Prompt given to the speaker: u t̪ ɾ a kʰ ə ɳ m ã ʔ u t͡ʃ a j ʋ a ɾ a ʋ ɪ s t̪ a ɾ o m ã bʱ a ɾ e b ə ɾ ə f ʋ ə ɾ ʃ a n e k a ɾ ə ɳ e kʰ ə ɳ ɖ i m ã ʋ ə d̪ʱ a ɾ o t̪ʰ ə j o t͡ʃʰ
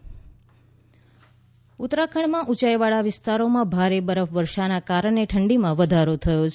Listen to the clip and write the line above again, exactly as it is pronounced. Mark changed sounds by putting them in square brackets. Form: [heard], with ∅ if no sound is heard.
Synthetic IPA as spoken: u t̪ ɾ a kʰ ə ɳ m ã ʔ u t͡ʃ a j ʋ a [ɭ] a ʋ ɪ s t̪ a ɾ o m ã bʱ a ɾ e b ə ɾ ə f ʋ ə ɾ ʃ a n [a] k a ɾ ə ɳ e [ʈʰ] ə ɳ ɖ i m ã ʋ ə d̪ʱ a ɾ o t̪ʰ ə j o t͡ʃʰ